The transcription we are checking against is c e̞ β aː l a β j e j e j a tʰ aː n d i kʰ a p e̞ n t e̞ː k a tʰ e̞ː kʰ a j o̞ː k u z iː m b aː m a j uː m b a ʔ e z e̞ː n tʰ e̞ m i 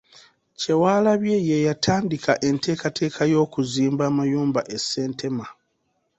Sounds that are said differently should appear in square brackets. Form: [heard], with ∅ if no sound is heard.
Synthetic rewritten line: c e̞ [w] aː l a β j e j e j a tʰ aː n d i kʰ a [ʔ] e̞ n t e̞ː k a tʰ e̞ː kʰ a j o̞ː k u z iː m b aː m a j uː m b a ʔ e [s] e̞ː n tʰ e̞ m [a]

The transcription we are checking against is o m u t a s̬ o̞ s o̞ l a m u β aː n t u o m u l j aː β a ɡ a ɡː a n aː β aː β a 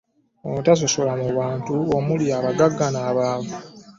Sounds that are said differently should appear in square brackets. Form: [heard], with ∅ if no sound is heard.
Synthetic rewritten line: o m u t a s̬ o̞ s o̞ l a m u β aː n t u o m u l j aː β a ɡ a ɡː a n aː β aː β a

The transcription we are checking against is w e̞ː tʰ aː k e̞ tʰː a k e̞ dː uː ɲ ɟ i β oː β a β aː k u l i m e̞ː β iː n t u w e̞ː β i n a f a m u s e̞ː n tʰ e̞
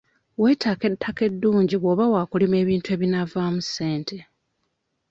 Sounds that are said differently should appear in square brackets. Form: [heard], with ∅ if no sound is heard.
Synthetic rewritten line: w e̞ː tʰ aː k e̞ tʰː a k e̞ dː uː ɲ ɟ i β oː β a [w] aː k u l i m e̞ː β iː n t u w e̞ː β i n a [v] a m u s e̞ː n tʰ e̞

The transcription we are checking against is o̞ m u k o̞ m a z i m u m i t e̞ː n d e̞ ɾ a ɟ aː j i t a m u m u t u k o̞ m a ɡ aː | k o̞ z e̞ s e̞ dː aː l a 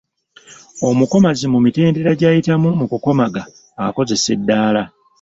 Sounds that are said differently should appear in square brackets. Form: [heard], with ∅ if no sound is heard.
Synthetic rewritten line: o̞ m u k o̞ m a z i m u m i t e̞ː n d e̞ ɾ a ɟ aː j i t a m u m u [k] u k o̞ m a ɡ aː | k o̞ z e̞ s e̞ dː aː l a

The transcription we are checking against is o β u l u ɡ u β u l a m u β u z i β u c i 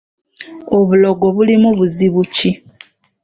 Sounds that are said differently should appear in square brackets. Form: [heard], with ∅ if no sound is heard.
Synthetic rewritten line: o β u l [o] ɡ [o] β u l [i] m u β u z i β u c i

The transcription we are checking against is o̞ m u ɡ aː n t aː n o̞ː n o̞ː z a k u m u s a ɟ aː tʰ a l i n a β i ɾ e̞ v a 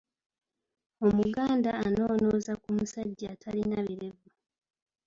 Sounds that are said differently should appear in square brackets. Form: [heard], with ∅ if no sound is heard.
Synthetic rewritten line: o̞ m u ɡ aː n [d] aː n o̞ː n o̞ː z a k u m u s a [ɟː] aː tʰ a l i n a β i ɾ e̞ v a

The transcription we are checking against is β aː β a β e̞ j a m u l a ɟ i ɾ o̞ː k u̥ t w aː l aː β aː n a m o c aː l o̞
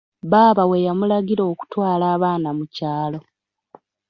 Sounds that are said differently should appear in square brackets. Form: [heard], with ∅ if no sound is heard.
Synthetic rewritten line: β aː β a [w] e̞ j a m u l a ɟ i ɾ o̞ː k u̥ t w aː l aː β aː n a m [u] c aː l o̞

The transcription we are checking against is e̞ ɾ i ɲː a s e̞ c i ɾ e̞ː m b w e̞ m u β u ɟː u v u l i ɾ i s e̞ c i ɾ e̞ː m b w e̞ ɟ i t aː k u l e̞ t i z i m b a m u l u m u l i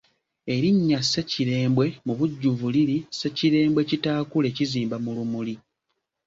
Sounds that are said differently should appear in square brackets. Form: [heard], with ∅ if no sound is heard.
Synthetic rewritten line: e̞ ɾ i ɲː a s e̞ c i ɾ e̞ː m b w e̞ m u β u ɟː u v u l i ɾ i s e̞ c i ɾ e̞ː m b w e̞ [c] i t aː k u l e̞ [c] i z [iː] m b a m u l u m u l i

